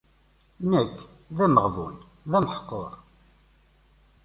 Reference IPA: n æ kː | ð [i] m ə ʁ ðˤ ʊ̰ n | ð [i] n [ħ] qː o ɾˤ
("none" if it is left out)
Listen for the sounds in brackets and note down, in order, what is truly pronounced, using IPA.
æ, æ, ħ

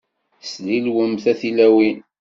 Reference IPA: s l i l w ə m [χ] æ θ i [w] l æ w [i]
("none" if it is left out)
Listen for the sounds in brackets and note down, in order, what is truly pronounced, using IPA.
θ, none, i

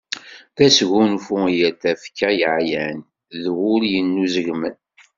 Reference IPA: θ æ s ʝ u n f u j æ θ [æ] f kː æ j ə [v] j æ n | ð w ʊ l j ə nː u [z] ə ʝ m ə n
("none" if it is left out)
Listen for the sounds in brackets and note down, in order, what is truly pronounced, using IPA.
æ, ʕ, z

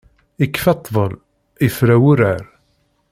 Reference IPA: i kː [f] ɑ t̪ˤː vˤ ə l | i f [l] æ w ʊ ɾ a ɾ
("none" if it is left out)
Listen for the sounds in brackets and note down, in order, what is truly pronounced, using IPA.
f, ɾ

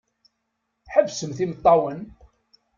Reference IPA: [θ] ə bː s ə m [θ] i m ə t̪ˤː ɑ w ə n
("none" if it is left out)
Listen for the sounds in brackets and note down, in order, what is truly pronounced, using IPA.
ħ, θ

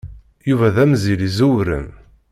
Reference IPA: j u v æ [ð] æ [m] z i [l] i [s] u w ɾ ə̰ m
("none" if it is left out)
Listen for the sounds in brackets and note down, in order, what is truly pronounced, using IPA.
ð, m, l, z

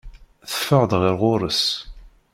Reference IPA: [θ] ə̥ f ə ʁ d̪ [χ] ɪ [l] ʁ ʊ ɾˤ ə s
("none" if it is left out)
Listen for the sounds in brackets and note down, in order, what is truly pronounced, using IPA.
θ, ʁ, ɾ

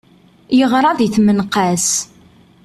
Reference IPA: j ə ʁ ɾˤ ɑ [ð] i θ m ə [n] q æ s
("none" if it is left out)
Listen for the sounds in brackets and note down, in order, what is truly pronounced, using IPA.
ð, n

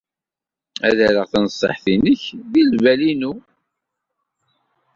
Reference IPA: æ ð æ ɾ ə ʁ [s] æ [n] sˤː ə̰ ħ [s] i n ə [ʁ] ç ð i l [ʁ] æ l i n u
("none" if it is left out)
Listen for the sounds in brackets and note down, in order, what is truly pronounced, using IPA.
θ, n, θ, none, v

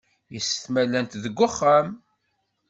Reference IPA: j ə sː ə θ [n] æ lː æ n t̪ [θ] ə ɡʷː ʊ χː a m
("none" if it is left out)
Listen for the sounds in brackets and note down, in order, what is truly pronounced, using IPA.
m, ð

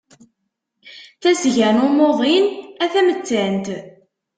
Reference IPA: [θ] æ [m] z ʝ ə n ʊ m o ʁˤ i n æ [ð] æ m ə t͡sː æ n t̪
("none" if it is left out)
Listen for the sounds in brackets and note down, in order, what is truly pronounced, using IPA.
θ, none, θ

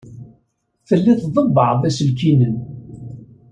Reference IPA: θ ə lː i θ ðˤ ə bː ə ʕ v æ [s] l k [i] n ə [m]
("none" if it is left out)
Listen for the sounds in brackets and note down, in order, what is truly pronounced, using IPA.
s, i, n

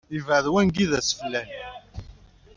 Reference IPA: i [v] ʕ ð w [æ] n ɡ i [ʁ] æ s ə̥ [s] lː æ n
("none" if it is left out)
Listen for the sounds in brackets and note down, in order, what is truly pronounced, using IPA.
v, æ, ð, f

